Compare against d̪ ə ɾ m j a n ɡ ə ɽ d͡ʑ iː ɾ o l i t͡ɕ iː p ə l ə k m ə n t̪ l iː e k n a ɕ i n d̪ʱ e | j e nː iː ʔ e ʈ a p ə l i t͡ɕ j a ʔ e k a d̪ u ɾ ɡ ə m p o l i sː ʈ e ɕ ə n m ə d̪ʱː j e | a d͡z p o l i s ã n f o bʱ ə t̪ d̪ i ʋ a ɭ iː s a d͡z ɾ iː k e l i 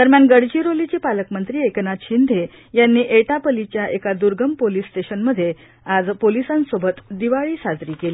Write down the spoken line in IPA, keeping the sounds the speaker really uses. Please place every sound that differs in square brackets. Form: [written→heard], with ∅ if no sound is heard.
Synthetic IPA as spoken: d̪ ə ɾ m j a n ɡ ə ɽ d͡ʑ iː ɾ o l i t͡ɕ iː p [ə→a] l ə k m ə n t̪ [l→ɾ] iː e k n a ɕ i n d̪ʱ e | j [e→a] nː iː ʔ e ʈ a p ə l i t͡ɕ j a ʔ e k a d̪ u ɾ ɡ ə m p o l i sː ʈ e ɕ ə n m ə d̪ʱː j e | a d͡z p o l i s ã n [f→s] o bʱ ə t̪ d̪ i ʋ a ɭ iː s a d͡z ɾ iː k e l i